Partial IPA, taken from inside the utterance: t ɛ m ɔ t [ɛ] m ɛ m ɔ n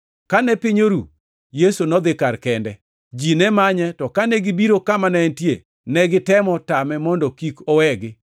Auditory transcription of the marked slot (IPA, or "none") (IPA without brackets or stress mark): a